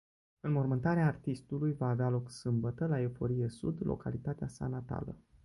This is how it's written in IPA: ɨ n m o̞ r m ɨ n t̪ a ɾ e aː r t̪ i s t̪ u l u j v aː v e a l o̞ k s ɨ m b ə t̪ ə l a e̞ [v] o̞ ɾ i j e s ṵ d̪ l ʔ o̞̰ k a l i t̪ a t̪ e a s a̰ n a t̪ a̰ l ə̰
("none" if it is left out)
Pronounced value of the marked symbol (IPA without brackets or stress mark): f